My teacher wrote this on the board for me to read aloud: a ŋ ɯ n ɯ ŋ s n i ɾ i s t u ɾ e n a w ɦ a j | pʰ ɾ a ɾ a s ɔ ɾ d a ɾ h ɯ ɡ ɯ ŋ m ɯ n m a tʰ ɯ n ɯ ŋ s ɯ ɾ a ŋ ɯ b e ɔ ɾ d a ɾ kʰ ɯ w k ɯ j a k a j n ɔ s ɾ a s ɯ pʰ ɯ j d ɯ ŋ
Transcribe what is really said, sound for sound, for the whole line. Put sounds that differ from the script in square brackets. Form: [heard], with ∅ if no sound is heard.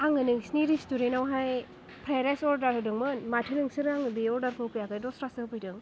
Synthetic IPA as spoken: a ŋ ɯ n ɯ ŋ s n i ɾ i s t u ɾ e n a w ɦ a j | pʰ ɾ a ɾ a s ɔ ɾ d a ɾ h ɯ [d] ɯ ŋ m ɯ n m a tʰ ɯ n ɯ ŋ s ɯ ɾ a ŋ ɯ b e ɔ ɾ d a ɾ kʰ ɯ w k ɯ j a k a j [d] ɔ s ɾ a s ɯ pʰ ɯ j d ɯ ŋ